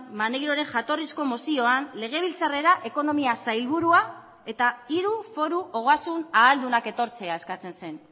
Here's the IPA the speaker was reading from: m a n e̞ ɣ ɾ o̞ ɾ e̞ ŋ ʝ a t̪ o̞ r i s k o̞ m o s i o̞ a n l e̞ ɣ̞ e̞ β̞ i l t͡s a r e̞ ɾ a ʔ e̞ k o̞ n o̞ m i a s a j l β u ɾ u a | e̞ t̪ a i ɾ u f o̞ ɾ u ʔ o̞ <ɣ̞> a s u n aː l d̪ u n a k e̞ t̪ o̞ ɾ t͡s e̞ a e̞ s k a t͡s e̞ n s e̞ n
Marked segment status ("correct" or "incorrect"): correct